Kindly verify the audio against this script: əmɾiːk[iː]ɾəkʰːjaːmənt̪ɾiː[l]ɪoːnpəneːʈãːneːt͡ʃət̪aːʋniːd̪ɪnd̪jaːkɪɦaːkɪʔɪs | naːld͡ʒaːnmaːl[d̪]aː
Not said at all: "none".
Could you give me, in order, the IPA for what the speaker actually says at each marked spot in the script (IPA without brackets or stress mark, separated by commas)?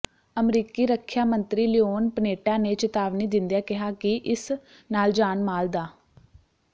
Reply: iː, l, d̪